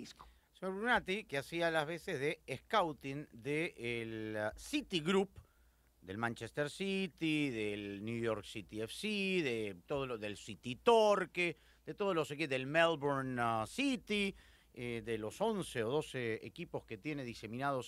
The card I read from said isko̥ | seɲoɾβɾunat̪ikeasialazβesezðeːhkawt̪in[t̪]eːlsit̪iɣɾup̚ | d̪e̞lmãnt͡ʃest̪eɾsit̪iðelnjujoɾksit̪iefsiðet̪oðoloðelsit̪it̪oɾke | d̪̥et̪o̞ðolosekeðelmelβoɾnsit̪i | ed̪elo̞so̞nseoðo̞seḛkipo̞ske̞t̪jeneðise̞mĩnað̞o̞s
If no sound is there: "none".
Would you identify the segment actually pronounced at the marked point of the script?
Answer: d̪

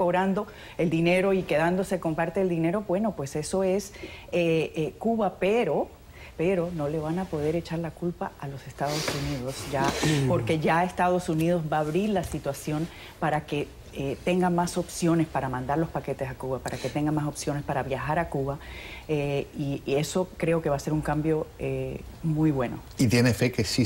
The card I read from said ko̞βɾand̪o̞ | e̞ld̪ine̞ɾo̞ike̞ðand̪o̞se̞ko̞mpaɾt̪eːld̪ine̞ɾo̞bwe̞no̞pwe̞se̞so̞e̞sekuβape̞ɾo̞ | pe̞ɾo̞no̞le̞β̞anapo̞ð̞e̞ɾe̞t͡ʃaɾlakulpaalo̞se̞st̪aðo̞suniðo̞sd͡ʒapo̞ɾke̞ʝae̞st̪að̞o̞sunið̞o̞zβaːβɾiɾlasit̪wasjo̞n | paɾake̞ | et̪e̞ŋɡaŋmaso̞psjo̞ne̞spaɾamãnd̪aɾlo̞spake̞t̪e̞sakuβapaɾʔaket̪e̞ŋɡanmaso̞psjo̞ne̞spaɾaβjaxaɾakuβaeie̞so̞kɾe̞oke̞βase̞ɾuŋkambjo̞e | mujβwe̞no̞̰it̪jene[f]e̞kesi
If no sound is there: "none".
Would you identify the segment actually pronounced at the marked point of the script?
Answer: f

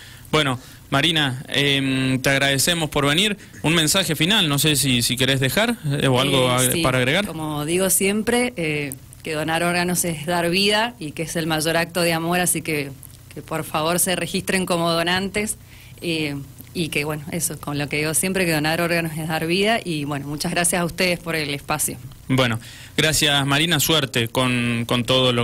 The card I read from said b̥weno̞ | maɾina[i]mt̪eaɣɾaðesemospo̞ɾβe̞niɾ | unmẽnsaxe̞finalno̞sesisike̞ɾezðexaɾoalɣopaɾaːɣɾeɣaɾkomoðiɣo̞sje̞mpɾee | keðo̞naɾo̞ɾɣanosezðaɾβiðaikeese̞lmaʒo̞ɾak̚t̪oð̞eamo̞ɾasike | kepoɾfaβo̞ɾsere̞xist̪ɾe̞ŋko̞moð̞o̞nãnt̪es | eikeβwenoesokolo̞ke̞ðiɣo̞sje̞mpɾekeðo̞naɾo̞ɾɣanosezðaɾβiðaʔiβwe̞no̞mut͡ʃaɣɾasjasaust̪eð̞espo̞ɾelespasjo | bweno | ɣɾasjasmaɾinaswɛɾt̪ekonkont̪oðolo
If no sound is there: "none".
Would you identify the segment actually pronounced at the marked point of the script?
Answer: e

